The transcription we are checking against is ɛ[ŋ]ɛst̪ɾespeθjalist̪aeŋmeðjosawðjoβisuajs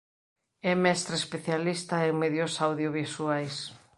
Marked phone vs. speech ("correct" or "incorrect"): incorrect